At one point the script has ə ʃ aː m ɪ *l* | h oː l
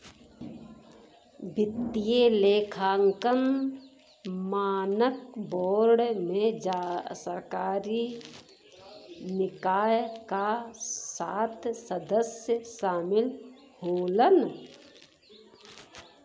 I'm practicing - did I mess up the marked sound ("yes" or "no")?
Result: no